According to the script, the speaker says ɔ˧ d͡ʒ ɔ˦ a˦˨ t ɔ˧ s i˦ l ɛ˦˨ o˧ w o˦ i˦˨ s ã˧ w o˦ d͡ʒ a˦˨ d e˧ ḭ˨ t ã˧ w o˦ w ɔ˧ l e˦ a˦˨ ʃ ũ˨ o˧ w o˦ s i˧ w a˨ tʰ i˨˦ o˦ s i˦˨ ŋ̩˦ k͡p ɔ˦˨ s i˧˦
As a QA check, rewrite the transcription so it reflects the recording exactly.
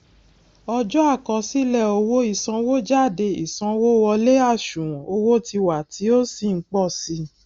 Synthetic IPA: ɔ˧ d͡ʒ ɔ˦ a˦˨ k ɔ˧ s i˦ l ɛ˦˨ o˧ w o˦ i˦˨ s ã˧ w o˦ d͡ʒ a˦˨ d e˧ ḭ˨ s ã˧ w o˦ w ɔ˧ l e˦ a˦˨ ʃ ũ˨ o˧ w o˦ t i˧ w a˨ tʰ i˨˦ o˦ s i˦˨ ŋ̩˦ k͡p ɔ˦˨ s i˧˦

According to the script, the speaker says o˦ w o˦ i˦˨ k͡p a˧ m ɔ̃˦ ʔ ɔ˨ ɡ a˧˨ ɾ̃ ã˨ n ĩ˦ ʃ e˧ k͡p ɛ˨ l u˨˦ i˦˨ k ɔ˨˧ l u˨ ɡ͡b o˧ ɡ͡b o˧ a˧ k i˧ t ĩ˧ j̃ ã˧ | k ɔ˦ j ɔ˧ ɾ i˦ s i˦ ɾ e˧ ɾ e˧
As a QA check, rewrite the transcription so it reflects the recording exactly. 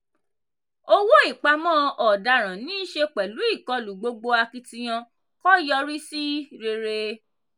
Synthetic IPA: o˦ w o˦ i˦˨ k͡p a˧ m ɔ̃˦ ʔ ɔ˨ d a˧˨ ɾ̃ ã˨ n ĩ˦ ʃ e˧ k͡p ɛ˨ l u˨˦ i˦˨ k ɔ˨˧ l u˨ ɡ͡b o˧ ɡ͡b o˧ a˧ k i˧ t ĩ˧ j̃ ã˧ | k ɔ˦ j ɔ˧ ɾ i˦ s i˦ ɾ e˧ ɾ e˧

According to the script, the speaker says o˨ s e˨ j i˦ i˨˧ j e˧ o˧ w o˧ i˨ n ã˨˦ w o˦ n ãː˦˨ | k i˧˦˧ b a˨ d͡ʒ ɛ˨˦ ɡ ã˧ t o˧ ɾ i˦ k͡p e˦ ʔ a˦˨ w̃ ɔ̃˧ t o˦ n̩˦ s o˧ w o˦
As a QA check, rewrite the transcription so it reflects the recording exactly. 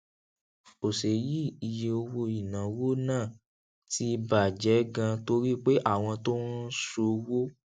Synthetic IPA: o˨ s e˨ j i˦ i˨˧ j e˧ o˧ w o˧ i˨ n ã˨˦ w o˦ n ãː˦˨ | t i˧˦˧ b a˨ d͡ʒ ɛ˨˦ ɡ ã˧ t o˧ ɾ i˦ k͡p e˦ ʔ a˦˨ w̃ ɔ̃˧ t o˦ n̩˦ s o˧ w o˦

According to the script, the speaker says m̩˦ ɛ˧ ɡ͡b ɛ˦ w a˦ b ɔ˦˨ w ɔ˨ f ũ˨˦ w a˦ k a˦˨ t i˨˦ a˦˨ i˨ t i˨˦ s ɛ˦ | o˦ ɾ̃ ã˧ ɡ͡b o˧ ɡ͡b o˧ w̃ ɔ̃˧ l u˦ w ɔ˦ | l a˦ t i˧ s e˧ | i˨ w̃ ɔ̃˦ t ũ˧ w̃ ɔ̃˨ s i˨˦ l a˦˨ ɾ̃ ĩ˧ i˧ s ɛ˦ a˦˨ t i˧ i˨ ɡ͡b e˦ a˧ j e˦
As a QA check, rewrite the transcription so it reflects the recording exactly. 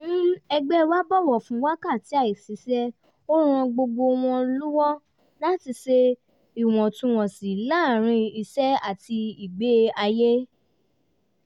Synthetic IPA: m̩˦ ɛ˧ ɡ͡b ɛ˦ w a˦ b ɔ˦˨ w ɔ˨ f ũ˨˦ w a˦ k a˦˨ t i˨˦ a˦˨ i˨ s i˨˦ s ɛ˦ | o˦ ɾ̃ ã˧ ɡ͡b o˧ ɡ͡b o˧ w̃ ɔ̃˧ l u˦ w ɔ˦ | l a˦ t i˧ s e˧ | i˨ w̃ ɔ̃˨ t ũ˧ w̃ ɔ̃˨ s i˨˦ l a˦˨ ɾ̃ ĩ˧ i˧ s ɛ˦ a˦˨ t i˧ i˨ ɡ͡b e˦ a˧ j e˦

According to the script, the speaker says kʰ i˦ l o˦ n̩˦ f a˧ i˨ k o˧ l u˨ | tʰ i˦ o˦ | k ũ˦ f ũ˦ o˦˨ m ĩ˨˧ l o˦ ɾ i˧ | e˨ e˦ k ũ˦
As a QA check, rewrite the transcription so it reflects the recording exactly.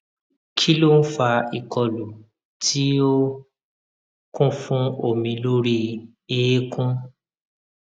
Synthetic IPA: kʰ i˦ l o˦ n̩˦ f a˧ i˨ k ɔ˧ l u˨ | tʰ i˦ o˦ | k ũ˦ f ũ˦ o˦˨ m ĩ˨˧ l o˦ ɾ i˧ | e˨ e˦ k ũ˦

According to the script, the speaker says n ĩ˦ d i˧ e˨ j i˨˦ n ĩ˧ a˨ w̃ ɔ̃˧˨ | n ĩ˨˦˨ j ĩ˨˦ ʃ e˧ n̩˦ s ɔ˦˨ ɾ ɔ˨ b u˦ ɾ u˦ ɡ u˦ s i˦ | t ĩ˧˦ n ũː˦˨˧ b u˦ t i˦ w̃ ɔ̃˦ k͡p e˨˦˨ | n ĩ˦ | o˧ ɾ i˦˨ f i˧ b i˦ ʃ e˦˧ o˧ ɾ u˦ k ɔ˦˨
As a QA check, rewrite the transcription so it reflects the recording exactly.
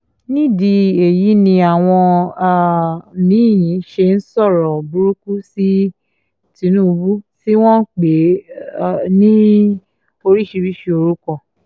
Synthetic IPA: n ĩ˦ d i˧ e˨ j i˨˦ n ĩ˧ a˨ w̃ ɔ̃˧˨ | n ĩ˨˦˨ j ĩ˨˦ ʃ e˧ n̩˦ s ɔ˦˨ ɾ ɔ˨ b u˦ ɾ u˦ k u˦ s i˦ | t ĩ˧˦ n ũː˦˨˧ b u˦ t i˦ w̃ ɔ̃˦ k͡p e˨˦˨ | n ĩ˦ | o˧ ɾ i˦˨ ʃ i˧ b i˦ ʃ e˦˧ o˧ ɾ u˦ k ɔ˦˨

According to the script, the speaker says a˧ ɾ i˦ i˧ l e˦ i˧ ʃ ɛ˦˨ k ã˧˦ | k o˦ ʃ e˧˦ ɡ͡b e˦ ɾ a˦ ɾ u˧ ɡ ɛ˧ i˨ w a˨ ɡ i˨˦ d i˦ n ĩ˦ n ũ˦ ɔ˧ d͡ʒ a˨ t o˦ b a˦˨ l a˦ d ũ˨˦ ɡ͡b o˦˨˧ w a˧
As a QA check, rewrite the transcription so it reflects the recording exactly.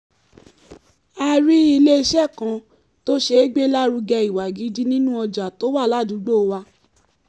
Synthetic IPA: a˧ ɾ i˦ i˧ l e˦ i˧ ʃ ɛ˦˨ k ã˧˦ | t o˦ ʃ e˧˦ ɡ͡b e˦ l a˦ ɾ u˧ ɡ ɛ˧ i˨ w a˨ ɡ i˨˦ d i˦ n ĩ˦ n ũ˦ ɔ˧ d͡ʒ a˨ t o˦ w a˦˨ l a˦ d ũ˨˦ ɡ͡b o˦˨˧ w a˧

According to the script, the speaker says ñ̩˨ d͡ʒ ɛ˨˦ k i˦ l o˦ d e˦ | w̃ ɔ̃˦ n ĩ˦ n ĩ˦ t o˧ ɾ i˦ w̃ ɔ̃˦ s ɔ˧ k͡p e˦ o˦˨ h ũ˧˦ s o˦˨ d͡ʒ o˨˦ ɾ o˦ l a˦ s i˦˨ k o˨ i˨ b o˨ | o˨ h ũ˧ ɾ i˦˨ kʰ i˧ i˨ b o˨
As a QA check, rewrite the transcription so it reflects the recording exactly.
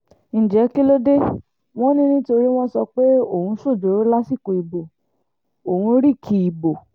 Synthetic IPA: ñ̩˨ d͡ʒ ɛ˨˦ k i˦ l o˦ d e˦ | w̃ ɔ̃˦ n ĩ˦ n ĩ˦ t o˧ ɾ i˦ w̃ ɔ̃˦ s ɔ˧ k͡p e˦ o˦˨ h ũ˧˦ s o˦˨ d͡ʒ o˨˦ ɾ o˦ l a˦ s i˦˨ k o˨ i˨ b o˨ | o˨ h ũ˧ ɾ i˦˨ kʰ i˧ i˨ b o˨

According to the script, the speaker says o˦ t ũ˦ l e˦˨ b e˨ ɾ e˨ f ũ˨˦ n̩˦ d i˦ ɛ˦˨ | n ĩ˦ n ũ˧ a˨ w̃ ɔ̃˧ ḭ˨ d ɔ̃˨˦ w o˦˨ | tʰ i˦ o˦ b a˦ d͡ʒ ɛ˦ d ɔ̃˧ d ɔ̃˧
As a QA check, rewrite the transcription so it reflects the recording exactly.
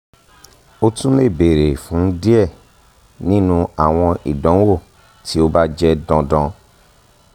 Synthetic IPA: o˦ t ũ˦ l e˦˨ b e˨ ɾ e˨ f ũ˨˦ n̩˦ d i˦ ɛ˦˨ | n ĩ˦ n ũ˧ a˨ w̃ ɔ̃˧ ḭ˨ d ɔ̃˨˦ w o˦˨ | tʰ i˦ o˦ b a˦ d͡ʒ ɛ˦ d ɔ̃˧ d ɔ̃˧

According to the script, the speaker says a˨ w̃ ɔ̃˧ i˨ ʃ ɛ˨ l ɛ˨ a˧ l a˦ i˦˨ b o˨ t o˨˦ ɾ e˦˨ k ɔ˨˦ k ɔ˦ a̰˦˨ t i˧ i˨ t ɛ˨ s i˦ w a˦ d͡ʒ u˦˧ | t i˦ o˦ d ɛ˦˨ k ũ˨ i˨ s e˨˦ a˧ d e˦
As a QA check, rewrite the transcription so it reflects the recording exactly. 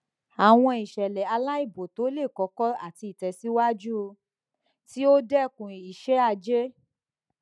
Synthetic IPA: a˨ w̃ ɔ̃˧ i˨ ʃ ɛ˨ l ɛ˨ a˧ l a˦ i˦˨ b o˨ t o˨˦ l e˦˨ k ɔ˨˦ k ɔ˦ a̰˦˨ t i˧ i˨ t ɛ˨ s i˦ w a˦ d͡ʒ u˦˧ | t i˦ o˦ d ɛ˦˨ k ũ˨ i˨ ʃ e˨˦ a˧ d͡ʒ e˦

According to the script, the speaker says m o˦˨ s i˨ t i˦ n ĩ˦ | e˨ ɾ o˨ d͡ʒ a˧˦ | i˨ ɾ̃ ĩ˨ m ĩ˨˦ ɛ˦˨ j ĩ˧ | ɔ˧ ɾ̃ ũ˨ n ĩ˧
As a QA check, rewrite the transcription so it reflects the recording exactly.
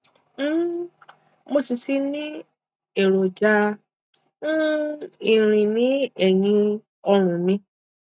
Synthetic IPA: m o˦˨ s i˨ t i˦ n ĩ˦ | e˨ ɾ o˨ d͡ʒ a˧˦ | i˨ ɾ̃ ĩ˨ n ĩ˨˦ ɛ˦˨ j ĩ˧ | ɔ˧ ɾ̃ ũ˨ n ĩ˧

